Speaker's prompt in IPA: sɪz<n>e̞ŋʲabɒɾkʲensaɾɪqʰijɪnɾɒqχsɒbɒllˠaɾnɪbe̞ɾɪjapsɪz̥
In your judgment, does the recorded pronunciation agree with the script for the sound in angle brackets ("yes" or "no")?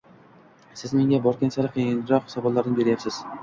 no